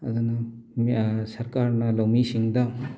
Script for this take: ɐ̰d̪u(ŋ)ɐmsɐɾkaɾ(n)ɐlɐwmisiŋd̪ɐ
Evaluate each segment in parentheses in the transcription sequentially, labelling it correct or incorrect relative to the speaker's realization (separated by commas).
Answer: incorrect, correct